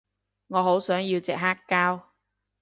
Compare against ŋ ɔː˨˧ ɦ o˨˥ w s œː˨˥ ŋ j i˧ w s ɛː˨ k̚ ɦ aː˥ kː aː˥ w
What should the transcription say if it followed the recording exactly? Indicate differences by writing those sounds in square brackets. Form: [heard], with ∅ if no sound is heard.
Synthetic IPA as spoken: ŋ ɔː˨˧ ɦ o˨˥ w s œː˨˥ ŋ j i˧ w [t͡s] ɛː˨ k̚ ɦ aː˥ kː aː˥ w